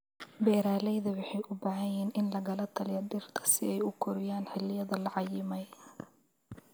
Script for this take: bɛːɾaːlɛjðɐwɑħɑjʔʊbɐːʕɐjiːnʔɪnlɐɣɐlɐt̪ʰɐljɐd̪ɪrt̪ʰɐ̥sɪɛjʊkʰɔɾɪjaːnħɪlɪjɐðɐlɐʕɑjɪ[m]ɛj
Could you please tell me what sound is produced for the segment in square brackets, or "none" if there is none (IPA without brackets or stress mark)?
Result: m